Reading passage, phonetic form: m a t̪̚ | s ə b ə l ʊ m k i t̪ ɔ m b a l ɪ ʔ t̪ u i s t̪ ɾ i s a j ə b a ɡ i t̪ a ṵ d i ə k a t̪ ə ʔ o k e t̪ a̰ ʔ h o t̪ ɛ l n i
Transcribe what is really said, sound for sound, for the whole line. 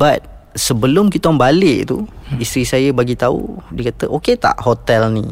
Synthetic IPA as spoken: b a t̪̚ | s ə b ə l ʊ m k i t̪ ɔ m b a l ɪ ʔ t̪ u i s t̪ ɾ i s a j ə b a ɡ i t̪ a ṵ d i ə k a t̪ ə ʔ o k e t̪ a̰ ʔ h o t̪ ɛ l n i